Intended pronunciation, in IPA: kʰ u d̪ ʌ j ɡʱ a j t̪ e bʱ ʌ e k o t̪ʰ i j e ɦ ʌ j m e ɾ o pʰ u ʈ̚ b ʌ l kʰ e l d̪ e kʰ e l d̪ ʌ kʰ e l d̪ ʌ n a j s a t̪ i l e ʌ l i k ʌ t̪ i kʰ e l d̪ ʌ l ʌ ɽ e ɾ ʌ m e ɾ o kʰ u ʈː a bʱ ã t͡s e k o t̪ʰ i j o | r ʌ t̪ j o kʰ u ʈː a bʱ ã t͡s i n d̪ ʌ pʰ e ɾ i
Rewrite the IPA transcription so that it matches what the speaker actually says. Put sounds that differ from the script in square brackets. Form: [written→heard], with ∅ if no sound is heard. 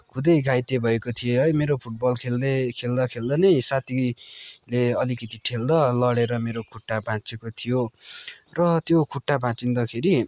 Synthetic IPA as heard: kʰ u d̪ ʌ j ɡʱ a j t̪ e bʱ ʌ e k o t̪ʰ i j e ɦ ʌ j m e ɾ o pʰ u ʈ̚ b ʌ l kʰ e l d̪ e kʰ e l d̪ ʌ kʰ e l d̪ ʌ n [a→ʌ] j s a t̪ i l e ʌ l i k ʌ t̪ i [kʰ→ʈʰ] e l d̪ ʌ l ʌ ɽ e ɾ ʌ m e ɾ o kʰ u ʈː a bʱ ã t͡s e k o t̪ʰ i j o | r ʌ t̪ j o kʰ u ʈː a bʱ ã t͡s i n d̪ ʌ [pʰ→kʰ] e ɾ i